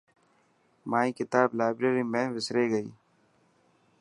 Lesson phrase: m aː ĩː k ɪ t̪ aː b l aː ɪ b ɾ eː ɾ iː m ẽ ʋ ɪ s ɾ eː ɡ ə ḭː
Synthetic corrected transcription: m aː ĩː k ɪ t̪ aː b l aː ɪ b ɾ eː ɾ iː m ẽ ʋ ɪ s ɾ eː ɡ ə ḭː

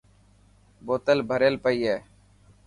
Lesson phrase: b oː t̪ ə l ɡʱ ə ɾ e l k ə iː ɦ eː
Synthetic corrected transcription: b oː t̪ ə l bʱ ə ɾ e l p ə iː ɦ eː

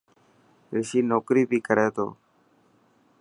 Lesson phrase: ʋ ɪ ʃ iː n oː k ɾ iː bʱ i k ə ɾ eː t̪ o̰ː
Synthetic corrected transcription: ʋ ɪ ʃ iː n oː k ɾ iː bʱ iː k ə ɾ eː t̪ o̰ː

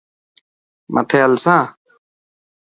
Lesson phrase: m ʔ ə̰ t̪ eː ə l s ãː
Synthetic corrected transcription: m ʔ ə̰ t̪ʰ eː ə l s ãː

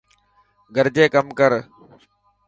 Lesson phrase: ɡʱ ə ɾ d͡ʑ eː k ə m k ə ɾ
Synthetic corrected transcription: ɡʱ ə ɾ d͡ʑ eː k ə m k ə ɾ

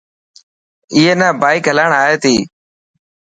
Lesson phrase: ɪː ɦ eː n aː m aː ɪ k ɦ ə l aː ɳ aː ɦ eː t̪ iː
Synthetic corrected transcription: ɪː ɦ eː n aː b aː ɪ k ɦ ə l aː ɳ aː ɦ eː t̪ iː

